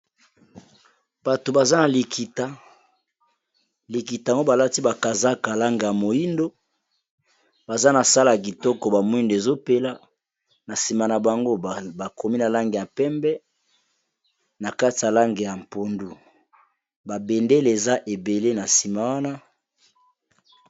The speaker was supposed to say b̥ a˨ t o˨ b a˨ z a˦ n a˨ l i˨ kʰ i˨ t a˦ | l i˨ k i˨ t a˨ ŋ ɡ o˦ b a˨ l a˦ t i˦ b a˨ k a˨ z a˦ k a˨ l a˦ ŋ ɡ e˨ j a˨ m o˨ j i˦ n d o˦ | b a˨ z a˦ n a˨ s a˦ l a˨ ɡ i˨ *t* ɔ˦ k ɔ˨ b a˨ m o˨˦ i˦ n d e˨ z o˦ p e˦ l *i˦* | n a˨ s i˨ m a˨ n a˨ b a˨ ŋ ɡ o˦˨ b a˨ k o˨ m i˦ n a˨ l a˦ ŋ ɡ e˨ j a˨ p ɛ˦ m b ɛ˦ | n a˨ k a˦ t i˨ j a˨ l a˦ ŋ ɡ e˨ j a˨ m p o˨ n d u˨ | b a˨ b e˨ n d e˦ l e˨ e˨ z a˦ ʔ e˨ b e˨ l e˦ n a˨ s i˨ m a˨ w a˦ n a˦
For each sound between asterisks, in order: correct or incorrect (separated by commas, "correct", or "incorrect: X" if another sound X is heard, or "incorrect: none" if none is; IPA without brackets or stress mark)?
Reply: correct, incorrect: a˦